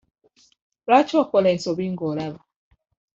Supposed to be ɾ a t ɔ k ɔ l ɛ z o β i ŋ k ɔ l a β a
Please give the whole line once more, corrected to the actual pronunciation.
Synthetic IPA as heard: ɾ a t͡ʃ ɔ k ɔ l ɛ s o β i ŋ ɡ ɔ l a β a